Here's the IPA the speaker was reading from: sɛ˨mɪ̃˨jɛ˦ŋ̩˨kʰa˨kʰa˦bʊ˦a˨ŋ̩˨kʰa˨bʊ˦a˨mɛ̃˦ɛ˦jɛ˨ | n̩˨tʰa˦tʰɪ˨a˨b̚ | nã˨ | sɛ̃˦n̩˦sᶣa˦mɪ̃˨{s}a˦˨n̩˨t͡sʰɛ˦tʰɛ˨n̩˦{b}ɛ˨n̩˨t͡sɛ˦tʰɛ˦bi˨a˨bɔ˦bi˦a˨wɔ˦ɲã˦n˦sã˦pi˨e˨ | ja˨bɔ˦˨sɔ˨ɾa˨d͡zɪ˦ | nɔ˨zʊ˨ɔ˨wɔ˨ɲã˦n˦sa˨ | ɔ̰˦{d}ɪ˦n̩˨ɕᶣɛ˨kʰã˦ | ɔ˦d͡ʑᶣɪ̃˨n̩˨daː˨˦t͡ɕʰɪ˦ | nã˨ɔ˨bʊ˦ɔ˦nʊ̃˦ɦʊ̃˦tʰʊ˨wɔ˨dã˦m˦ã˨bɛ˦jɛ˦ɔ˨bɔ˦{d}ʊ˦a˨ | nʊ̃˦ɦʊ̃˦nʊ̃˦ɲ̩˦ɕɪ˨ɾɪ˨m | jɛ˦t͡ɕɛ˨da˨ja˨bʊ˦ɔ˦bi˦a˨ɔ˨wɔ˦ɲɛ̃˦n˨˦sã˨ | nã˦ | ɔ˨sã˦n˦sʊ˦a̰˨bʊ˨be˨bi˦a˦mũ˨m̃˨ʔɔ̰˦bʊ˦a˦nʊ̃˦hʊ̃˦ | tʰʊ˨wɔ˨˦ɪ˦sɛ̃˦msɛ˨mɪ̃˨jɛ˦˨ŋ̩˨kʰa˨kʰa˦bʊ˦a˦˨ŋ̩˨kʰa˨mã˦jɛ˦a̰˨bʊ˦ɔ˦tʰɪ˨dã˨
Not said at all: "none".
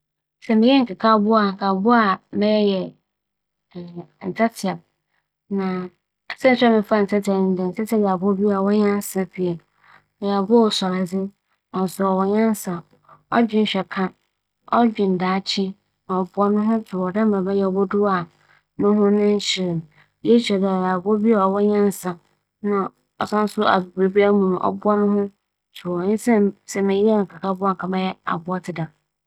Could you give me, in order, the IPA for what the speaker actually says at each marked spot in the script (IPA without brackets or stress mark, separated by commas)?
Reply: f, d, d͡ʑᶣ, d